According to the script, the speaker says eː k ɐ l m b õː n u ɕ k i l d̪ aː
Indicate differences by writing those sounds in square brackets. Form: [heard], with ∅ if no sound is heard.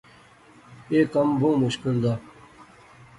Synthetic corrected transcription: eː k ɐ [∅] m b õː [m] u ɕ k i l d̪ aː